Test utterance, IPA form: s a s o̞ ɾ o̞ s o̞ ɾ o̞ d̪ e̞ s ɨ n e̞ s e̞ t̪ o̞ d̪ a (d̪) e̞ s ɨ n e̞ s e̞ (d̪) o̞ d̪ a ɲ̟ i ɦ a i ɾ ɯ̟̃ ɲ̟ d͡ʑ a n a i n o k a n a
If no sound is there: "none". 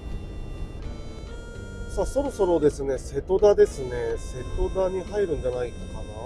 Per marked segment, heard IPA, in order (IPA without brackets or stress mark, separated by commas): d̪, t̪